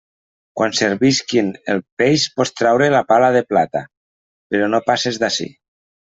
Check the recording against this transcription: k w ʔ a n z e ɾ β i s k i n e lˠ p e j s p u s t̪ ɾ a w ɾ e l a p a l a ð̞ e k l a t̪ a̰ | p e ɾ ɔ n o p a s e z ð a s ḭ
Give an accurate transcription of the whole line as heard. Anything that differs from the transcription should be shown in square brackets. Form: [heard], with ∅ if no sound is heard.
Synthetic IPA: k w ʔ a n [s] e ɾ β i s k i n e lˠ p e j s p [ɔ] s t̪ ɾ a w ɾ e l a p a l a ð̞ e [p] l a t̪ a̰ | p e ɾ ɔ n o p a s e z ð a s ḭ